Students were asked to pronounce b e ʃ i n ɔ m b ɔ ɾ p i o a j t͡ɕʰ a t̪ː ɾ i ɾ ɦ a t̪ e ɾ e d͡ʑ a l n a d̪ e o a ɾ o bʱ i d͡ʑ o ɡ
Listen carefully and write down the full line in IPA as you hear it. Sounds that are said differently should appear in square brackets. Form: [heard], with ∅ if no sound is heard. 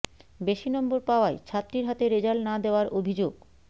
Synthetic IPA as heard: b e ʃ i n ɔ m b [o] ɾ p [a] o a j t͡ɕʰ a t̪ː ɾ i ɾ ɦ a t̪ e ɾ e d͡ʑ a l n a d̪ e o a ɾ o bʱ i d͡ʑ o ɡ